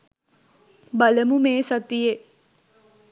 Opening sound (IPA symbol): b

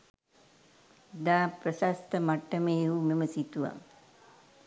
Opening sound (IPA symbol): d̪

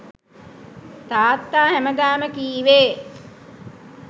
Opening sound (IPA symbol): t̪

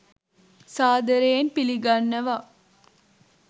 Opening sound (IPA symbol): s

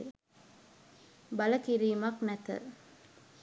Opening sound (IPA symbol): b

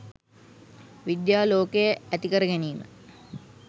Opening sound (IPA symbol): ʋ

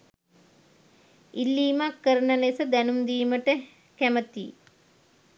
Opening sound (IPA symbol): i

